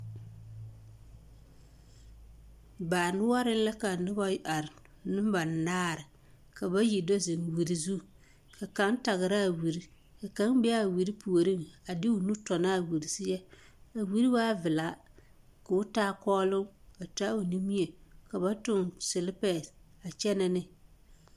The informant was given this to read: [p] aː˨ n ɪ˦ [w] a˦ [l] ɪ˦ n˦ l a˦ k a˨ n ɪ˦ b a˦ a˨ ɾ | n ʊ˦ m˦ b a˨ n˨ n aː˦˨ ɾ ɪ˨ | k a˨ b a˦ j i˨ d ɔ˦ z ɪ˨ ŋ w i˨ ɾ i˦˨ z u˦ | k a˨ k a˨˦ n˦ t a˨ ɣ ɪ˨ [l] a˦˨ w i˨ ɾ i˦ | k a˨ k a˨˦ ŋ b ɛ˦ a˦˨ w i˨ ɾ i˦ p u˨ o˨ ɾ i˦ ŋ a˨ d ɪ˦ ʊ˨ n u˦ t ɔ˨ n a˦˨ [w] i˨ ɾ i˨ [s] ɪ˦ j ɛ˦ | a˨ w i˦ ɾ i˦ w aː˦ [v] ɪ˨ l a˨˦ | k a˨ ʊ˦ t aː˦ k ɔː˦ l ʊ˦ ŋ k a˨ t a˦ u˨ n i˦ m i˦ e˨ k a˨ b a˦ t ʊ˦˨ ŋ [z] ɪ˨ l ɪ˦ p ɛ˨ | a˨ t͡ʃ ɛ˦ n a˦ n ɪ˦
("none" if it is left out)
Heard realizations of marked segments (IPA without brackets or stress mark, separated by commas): b, w, ɾ, ɾ, w, s, v, s